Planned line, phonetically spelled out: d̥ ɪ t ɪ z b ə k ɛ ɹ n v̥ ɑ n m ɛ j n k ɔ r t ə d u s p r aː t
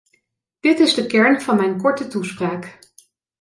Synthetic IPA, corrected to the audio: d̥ ɪ t ɪ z d ə k ɛ ɹ n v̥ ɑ n m ɛ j n k ɔ ɹ t ə t u s p r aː k